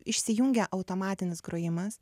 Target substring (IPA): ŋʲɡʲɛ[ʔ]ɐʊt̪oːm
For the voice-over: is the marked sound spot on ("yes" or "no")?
yes